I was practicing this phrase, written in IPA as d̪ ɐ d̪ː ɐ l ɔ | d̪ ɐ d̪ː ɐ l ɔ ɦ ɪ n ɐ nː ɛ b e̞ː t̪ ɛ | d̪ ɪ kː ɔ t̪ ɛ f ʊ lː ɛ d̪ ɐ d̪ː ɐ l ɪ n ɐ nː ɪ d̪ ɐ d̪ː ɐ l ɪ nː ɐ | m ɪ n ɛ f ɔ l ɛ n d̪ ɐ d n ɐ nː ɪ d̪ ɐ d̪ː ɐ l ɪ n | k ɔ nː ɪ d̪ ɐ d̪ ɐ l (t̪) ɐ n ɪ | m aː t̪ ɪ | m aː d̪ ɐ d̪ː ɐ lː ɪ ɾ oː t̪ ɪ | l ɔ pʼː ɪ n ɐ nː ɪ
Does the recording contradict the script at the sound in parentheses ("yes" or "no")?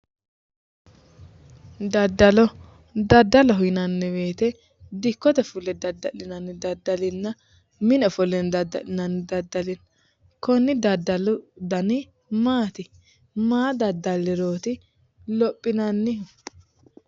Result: yes